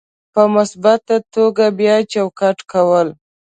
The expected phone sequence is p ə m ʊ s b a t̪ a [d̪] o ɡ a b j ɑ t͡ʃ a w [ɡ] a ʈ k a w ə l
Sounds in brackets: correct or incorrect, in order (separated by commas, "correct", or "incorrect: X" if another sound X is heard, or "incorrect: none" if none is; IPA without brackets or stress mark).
incorrect: t̪, incorrect: k